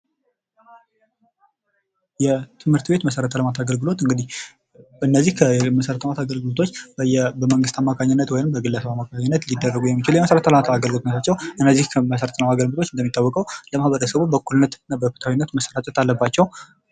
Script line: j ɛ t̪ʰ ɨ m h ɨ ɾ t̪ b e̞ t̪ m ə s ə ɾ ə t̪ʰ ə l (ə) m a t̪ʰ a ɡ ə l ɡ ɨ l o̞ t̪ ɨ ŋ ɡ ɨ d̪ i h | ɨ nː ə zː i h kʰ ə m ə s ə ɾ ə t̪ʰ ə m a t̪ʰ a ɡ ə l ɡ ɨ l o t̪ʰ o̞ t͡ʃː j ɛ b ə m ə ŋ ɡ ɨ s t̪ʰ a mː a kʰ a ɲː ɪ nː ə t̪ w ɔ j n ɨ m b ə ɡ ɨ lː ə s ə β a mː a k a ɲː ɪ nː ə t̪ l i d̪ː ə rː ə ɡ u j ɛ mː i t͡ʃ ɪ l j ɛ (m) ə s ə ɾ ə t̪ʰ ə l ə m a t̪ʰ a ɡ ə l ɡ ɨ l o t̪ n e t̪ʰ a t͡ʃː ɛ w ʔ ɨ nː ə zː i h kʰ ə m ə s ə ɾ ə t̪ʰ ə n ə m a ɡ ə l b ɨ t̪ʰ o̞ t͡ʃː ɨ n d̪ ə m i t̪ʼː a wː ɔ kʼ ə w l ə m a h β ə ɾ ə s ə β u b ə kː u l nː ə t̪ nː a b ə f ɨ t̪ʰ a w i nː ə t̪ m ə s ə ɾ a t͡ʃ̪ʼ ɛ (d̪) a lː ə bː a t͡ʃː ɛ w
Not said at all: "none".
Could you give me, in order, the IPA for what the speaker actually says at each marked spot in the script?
ə, m, t̪

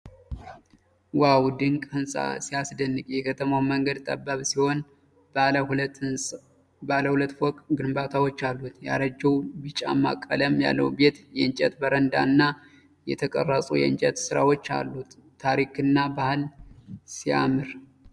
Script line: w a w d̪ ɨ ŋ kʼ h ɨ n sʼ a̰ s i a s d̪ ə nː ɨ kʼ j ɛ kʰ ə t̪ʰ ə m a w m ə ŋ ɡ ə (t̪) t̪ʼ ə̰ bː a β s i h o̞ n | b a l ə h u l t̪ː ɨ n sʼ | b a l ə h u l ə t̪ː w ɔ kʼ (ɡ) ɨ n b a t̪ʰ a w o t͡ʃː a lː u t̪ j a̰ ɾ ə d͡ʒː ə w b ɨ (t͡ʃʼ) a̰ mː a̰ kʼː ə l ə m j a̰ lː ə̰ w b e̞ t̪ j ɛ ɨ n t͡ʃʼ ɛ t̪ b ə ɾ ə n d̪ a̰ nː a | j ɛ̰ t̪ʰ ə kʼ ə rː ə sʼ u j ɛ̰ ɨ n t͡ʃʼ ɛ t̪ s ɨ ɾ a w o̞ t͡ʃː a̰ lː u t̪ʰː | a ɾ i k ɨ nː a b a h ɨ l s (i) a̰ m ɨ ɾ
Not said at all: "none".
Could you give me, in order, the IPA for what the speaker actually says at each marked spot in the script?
d̪, ɡ, t͡ʃʼ, i

